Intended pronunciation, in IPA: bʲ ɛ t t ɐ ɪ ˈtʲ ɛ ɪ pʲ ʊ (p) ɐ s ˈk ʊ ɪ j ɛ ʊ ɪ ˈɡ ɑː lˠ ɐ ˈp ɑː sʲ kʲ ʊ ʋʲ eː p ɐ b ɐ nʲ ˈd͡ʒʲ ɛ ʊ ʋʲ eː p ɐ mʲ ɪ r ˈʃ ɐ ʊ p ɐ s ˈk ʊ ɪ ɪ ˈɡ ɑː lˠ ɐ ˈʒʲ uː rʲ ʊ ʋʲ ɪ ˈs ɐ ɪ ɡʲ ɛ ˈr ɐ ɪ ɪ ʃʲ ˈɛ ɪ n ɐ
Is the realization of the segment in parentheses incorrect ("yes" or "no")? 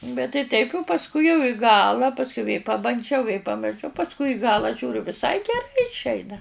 no